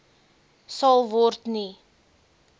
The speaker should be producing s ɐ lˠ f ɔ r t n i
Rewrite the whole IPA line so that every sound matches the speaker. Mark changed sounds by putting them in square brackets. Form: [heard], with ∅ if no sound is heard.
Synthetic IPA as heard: s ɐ lˠ [v] ɔ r t n i